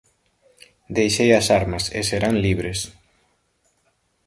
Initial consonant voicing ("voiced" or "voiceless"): voiced